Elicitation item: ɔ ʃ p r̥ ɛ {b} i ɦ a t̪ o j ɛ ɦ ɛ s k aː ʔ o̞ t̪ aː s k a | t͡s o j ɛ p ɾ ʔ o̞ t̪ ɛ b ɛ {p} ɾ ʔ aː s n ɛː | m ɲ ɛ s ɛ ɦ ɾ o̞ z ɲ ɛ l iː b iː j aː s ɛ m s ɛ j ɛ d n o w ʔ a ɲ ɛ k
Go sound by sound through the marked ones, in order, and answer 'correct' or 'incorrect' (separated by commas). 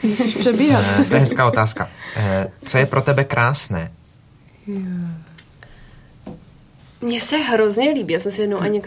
correct, incorrect